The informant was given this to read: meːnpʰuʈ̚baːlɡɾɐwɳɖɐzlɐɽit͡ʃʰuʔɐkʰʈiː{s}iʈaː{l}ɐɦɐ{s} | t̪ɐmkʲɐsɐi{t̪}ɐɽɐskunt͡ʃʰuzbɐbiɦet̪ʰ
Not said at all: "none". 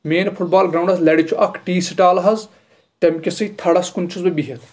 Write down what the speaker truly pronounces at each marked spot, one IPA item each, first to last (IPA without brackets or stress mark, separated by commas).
s, l, z, t̪ʰ